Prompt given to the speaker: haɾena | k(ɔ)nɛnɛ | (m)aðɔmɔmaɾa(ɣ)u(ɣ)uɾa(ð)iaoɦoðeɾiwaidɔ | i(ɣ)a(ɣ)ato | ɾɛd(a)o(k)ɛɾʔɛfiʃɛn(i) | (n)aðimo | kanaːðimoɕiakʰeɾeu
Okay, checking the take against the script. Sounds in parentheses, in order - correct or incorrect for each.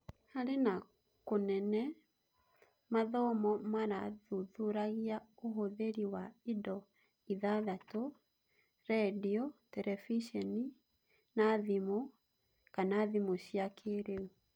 incorrect, correct, incorrect, incorrect, incorrect, incorrect, incorrect, incorrect, incorrect, correct, correct

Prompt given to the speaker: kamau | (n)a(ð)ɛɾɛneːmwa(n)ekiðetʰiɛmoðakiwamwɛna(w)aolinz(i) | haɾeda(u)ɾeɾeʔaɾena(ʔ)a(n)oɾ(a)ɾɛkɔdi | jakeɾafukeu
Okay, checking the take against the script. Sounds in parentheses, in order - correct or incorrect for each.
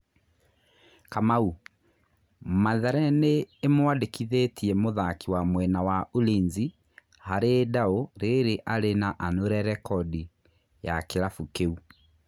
incorrect, correct, incorrect, correct, correct, incorrect, correct, correct, incorrect

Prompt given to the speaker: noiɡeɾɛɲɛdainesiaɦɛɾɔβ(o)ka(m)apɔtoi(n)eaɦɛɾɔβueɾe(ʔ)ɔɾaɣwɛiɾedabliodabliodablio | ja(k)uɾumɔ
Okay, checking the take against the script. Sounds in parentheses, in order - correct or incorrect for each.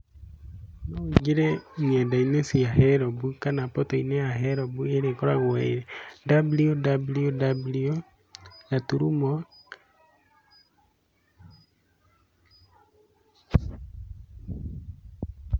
incorrect, incorrect, correct, incorrect, incorrect

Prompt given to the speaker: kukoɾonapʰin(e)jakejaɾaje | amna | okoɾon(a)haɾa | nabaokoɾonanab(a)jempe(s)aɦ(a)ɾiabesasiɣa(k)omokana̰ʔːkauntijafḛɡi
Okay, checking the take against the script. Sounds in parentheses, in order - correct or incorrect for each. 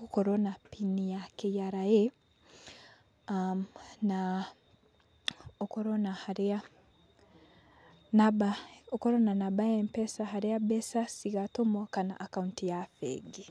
incorrect, correct, correct, correct, correct, incorrect

